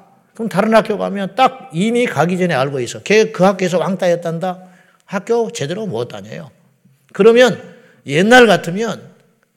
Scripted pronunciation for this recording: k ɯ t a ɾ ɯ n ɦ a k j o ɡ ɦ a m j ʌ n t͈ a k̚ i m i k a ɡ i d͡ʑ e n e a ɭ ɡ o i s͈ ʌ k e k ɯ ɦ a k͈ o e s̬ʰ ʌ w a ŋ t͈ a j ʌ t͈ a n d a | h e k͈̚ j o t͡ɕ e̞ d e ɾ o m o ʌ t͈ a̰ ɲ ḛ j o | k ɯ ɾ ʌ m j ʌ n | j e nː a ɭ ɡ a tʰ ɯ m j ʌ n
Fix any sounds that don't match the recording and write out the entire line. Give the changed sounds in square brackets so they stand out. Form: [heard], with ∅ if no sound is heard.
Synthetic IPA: k ɯ t a ɾ ɯ n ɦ a k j o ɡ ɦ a m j ʌ n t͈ a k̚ i m i k a ɡ i d͡ʑ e n e a ɭ ɡ o i s͈ ʌ k e k ɯ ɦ a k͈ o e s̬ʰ ʌ w a ŋ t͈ a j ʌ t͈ a n d a | h [a] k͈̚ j o t͡ɕ e̞ d e ɾ o m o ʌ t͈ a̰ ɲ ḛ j o | k ɯ ɾ ʌ m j ʌ n | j e nː a ɭ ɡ a tʰ ɯ m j ʌ n